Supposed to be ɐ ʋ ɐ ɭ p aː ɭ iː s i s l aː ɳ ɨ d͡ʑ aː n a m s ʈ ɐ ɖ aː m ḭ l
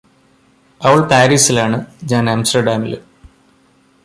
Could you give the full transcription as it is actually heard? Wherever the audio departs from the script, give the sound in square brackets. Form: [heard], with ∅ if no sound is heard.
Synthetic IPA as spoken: ɐ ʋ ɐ ɭ p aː [ɾ] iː s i [∅] l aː ɳ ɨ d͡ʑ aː n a m s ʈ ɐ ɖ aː m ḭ l